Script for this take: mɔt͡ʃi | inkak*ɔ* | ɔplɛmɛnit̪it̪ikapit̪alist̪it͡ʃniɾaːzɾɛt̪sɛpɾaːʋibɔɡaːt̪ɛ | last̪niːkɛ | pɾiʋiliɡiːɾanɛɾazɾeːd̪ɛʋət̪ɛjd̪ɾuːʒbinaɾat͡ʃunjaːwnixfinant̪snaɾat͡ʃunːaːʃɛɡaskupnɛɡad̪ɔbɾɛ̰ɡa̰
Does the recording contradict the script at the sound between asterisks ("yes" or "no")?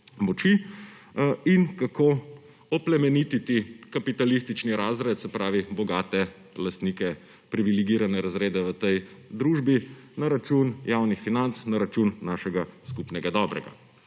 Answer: yes